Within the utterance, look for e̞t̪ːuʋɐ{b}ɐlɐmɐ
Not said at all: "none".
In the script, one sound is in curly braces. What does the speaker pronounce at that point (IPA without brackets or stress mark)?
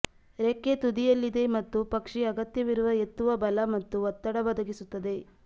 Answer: b